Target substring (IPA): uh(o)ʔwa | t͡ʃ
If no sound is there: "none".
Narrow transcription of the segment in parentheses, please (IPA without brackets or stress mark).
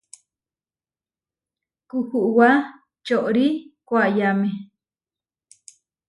u